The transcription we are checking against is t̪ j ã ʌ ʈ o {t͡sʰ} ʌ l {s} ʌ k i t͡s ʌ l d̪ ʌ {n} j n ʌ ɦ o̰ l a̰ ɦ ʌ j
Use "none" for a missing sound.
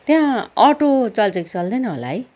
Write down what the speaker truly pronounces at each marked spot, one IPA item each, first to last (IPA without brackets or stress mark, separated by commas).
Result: t͡s, t͡s, none